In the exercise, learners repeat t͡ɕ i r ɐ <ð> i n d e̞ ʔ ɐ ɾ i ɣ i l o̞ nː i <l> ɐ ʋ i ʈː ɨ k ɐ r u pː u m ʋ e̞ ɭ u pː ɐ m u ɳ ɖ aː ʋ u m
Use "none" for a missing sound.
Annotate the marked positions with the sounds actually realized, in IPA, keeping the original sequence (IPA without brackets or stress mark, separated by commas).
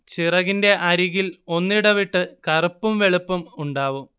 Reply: ɣ, ɽ